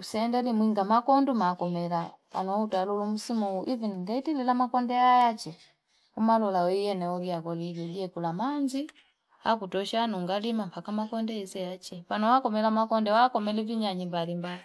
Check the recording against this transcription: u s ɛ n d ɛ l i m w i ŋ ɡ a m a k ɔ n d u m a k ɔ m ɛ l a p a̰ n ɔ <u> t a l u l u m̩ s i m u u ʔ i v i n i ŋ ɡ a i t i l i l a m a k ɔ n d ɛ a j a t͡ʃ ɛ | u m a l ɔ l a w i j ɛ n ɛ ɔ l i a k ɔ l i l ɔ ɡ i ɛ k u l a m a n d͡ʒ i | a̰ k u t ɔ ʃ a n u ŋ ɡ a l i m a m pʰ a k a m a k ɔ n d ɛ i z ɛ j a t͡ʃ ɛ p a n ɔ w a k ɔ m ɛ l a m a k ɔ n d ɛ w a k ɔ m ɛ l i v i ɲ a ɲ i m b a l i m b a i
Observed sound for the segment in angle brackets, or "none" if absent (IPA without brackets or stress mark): u